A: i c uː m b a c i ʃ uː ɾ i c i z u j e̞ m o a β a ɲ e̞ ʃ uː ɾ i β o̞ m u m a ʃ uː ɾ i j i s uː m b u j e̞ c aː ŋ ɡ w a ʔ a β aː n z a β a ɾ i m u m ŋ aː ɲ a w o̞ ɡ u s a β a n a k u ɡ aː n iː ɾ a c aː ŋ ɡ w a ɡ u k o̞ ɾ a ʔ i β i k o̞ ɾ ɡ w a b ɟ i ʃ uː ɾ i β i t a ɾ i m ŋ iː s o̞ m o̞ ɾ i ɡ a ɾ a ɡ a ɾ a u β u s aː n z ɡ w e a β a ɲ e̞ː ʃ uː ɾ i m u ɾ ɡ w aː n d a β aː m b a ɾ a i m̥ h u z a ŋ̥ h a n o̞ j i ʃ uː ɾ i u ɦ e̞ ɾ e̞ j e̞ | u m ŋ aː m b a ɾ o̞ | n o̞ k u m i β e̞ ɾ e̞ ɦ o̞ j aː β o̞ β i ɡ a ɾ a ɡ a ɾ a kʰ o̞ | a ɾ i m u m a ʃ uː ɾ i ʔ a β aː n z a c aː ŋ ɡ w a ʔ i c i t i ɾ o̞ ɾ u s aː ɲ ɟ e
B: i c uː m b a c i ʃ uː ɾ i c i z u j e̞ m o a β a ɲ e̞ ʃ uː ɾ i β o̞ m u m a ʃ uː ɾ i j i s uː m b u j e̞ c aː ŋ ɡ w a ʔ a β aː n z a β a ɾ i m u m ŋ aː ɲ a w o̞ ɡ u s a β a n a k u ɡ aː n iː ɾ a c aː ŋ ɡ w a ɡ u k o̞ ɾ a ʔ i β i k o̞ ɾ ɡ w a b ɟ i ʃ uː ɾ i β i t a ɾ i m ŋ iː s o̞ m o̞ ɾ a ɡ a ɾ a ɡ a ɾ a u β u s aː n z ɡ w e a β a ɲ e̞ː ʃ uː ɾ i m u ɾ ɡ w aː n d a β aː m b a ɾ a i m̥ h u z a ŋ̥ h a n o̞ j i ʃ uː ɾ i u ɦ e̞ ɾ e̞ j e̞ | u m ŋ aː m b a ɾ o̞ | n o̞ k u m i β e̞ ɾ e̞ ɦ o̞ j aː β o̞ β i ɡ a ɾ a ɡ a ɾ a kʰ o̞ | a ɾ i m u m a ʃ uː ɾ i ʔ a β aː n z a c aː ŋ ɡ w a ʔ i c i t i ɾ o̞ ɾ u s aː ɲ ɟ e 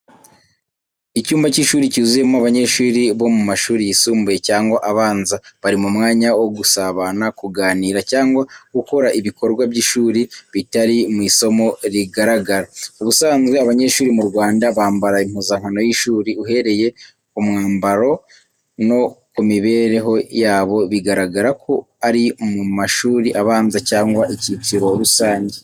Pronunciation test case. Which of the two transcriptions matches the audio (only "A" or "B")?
A